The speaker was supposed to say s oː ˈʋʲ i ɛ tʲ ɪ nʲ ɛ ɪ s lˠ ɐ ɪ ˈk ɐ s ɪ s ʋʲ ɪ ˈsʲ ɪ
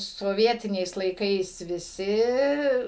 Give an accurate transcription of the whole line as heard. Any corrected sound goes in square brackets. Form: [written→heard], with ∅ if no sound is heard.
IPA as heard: s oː ˈʋʲ i ɛ tʲ ɪ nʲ ɛ ɪ s lˠ ɐ ɪ ˈk ɐ [s→∅] ɪ s ʋʲ ɪ ˈsʲ ɪ

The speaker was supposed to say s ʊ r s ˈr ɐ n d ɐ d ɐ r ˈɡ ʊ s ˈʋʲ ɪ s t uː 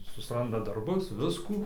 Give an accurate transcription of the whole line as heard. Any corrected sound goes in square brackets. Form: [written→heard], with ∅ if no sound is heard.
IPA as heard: s ʊ [r→∅] s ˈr ɐ n d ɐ d ɐ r [ˈɡ→ˈb] ʊ s ˈʋʲ ɪ s [t→k] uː

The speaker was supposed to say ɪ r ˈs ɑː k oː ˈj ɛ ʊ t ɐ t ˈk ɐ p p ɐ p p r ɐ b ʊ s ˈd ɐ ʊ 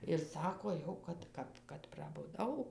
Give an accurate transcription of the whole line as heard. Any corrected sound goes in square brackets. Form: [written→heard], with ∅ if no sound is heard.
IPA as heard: ɪ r ˈs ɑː k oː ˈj ɛ ʊ [t→k] ɐ t ˈk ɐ p [p→k] ɐ [p→t] p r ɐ b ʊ [s→∅] ˈd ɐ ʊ

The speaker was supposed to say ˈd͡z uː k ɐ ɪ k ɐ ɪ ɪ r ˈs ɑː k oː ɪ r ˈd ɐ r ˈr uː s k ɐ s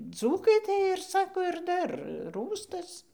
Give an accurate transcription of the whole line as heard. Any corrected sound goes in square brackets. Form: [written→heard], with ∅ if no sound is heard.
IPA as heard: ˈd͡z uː k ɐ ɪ [k→t] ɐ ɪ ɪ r ˈs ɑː k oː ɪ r ˈd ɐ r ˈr uː s [k→t] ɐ s

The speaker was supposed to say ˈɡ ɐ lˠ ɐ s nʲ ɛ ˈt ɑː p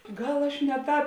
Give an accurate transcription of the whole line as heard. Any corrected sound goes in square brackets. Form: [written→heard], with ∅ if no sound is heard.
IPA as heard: ˈɡ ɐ lˠ ɐ [s→ʃ] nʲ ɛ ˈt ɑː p

